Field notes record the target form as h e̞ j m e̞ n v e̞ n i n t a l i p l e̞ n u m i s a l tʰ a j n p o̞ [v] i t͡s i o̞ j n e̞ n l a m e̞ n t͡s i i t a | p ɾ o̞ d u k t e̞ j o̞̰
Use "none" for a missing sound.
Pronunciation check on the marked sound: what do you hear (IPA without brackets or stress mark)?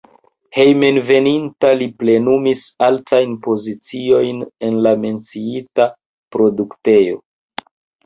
z